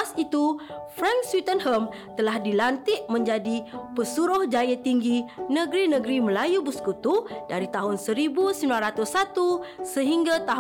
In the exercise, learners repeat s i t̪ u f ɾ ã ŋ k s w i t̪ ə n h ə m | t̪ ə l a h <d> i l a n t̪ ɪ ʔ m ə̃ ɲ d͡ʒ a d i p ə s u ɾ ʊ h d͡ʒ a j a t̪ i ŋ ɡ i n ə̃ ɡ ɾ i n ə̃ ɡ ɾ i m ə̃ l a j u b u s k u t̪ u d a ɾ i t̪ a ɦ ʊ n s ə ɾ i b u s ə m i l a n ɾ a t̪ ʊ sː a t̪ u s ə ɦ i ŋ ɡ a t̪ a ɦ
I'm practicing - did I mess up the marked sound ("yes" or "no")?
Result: no